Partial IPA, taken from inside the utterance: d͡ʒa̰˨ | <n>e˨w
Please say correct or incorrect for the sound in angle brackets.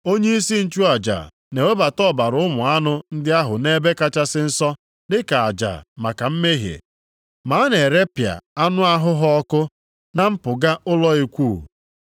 correct